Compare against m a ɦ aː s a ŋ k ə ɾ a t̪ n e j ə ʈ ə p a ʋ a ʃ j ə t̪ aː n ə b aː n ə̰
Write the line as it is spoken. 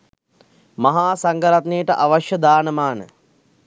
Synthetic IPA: m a ɦ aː s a ŋ ɡ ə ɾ a t̪ n e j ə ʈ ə ʔ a ʋ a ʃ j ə d̪ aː n ə m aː n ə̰